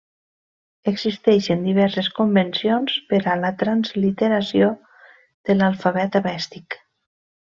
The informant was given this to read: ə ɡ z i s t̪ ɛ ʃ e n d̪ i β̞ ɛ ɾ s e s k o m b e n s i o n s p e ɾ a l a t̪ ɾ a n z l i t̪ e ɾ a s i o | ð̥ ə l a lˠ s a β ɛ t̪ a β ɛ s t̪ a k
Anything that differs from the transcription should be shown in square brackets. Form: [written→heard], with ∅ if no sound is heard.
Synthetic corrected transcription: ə ɡ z i s t̪ ɛ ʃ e n d̪ i β̞ ɛ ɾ s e s k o m b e n s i o n s p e ɾ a l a t̪ ɾ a n z l i t̪ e ɾ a s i o | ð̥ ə l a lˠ [s→f] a β ɛ t̪ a β ɛ s t̪ [a→i] k

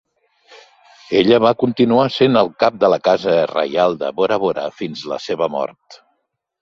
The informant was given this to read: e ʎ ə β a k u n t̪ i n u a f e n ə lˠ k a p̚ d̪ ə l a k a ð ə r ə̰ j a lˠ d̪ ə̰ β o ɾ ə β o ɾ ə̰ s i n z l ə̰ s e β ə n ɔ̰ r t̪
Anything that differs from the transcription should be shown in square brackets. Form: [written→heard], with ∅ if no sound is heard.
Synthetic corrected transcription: e ʎ ə β a k u n t̪ i n u a [f→s] e n ə lˠ k a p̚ d̪ ə l [a→ə] k a [ð→z] ə r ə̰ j a lˠ d̪ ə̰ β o ɾ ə β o ɾ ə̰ [s→f] i n z l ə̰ s e β ə [n→m] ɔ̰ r t̪

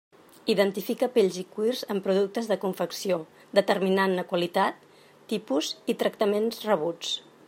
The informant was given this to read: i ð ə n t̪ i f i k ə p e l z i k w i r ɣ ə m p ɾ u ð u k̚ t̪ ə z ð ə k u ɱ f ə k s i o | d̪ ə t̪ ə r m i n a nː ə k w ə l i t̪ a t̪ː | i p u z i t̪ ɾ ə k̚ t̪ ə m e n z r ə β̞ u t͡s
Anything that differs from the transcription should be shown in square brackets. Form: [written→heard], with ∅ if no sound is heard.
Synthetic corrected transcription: i ð ə n t̪ i f i k ə p e [l→ʎ] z i k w i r [ɣ→z] ə m p ɾ u ð u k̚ t̪ ə z ð ə k u ɱ f ə k s i o | d̪ ə t̪ ə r m i n a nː ə k w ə l i t̪ a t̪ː | i p u z i t̪ ɾ ə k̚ t̪ ə m e n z r ə β̞ u t͡s

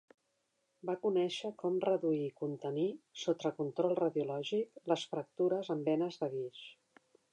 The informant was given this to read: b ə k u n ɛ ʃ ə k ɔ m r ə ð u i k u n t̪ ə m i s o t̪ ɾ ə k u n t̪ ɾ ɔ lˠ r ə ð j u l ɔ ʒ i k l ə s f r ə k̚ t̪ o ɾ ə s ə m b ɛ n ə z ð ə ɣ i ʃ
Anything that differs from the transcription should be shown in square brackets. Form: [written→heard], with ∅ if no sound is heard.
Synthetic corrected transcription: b [ə→a] k u n ɛ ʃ ə k ɔ m r ə ð u i k u n t̪ ə [m→n] i s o t̪ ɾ ə k u n t̪ ɾ ɔ lˠ r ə ð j u l ɔ ʒ i k l ə s f [r→ɾ] ə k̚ t̪ [o→u] ɾ ə [s→z] ə m b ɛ n ə z ð ə ɣ i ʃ

